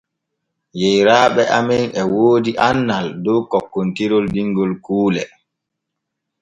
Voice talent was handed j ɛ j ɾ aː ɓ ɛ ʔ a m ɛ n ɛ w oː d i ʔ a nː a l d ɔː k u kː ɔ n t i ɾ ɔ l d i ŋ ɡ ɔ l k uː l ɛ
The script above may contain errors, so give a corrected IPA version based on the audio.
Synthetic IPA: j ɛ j ɾ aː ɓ ɛ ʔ a m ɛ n ɛ w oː d i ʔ a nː a l d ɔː k ɔ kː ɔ n t i ɾ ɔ l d i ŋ ɡ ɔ l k uː l ɛ